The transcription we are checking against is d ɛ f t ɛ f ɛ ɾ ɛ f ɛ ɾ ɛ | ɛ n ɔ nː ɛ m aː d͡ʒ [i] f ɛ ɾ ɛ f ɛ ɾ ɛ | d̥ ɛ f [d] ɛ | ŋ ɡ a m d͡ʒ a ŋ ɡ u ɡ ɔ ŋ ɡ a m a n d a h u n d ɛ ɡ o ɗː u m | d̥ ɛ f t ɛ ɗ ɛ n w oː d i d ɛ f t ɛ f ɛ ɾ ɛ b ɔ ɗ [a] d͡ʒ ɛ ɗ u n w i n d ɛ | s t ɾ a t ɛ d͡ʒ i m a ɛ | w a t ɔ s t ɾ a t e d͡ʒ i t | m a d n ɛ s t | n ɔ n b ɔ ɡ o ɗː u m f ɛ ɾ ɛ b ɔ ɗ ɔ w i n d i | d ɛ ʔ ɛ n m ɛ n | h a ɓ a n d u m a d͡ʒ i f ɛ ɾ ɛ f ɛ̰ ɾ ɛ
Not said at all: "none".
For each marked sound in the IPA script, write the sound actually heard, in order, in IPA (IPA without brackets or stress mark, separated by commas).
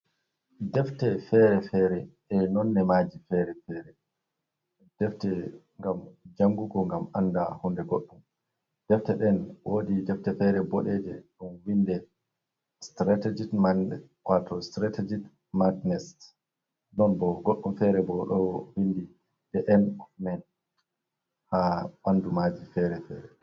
i, t, ɛ